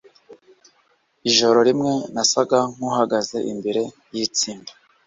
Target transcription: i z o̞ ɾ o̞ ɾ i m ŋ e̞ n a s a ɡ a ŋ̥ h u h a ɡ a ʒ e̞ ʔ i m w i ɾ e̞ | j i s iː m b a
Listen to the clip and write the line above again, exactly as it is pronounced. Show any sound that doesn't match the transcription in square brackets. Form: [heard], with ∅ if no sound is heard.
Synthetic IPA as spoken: i [ʒ] o̞ ɾ o̞ ɾ i m ŋ e̞ n a s a ɡ a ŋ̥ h u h a ɡ a [z] e̞ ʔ i m [b] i ɾ e̞ | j i [t͡s] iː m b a